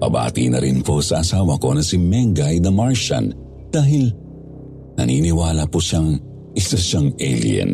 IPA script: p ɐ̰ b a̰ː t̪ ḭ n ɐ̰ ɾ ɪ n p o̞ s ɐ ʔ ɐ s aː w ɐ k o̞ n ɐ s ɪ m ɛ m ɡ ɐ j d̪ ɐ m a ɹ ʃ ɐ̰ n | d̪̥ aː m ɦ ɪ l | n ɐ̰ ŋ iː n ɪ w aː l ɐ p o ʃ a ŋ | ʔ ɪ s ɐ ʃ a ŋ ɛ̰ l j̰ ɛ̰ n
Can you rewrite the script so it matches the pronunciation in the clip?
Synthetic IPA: p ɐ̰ b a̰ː t̪ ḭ n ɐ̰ ɾ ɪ n p o̞ s ɐ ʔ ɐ s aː w ɐ k o̞ n ɐ s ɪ m ɛ ŋ ɡ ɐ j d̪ ɐ m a ɹ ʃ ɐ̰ n | d̪̥ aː ɦ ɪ l | n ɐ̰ n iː n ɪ w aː l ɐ p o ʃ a ŋ | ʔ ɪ s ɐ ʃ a ŋ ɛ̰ l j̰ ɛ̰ n